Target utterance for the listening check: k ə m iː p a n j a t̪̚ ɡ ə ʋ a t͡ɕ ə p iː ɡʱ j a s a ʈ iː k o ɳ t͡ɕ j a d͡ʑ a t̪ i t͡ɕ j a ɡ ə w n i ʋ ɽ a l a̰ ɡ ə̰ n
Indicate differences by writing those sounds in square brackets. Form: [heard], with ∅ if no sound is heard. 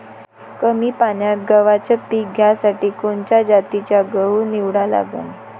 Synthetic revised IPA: k ə m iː p a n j a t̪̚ ɡ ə ʋ a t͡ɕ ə p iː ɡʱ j a s a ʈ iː k o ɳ t͡ɕ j a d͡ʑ a t̪ i t͡ɕ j a ɡ ə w n i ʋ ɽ a l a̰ ɡ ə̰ n

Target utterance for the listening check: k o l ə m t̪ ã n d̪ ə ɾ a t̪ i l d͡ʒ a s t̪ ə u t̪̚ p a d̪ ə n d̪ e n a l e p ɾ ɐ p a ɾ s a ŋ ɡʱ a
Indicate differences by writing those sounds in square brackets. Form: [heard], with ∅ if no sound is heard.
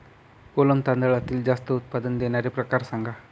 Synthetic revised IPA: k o l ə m t̪ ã n d̪ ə [ɭ] a t̪ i l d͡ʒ a s t̪ ə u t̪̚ p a d̪ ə n d̪ e n a [ɾ] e p ɾ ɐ [k] a ɾ s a ŋ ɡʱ a

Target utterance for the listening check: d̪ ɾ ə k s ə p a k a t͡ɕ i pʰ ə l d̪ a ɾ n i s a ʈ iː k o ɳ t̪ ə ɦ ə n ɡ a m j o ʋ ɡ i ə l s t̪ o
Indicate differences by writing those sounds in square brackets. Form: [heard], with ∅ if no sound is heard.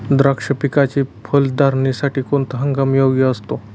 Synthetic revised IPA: d̪ ɾ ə k [ʂ] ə p [i] k a t͡ɕ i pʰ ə l d̪ a ɾ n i s a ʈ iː k o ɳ t̪ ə ɦ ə [ŋ] ɡ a m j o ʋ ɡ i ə [∅] s t̪ o

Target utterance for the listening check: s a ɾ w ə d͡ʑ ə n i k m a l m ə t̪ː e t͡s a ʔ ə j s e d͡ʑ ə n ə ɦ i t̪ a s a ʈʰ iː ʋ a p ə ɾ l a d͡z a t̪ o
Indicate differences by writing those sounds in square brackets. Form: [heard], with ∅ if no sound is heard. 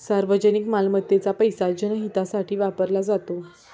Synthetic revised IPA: s a ɾ [ʋ] ə d͡ʑ ə n i k m a l m ə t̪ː e t͡s a [p] ə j s [a] d͡ʑ ə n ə ɦ i t̪ a s a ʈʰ iː ʋ a p ə ɾ l a d͡z a t̪ o

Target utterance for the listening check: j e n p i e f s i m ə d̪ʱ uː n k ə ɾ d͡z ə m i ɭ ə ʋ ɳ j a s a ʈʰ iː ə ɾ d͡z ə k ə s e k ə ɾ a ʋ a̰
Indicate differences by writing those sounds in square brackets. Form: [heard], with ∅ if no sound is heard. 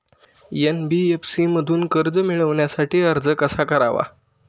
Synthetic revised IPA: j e n [b] i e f s i m ə d̪ʱ uː n k ə ɾ d͡z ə m i ɭ ə ʋ ɳ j a s a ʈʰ iː ə ɾ d͡z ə k ə s [a] k ə ɾ a ʋ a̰

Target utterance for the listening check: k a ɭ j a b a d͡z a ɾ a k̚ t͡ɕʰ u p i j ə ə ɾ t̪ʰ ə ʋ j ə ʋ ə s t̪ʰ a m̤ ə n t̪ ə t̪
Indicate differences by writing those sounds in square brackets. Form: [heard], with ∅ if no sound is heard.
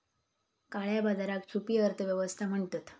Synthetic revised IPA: k a ɭ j a b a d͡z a ɾ a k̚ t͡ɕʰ u p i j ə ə ɾ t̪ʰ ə ʋ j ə ʋ ə s t̪ʰ a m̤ ə [ɳ] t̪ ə t̪

